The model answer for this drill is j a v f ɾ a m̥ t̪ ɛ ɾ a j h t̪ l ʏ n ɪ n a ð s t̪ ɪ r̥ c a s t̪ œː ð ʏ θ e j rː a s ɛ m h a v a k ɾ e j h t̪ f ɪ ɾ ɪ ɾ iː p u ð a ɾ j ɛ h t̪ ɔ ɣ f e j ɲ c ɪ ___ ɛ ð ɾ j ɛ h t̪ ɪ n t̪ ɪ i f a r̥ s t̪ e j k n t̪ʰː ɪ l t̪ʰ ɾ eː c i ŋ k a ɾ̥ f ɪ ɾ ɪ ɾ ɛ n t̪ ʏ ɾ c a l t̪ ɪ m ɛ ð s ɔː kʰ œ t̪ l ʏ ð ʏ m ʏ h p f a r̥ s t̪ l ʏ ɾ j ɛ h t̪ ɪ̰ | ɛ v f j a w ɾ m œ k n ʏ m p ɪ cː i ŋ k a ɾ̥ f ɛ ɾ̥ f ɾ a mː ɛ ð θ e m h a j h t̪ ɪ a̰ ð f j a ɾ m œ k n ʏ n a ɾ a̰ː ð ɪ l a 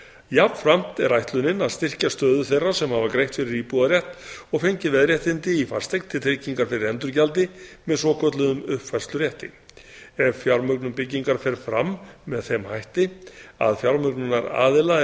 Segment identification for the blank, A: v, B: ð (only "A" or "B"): A